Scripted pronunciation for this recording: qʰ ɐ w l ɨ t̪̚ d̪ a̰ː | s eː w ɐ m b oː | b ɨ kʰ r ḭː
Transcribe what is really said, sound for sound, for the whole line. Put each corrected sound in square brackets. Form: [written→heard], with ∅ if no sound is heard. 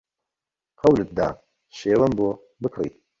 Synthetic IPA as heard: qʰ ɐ w l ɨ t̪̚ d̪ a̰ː | [s→ʃ] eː w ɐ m b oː | b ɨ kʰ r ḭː